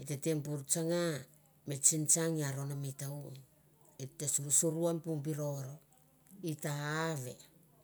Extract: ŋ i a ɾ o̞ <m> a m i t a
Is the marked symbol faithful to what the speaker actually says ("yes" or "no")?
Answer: no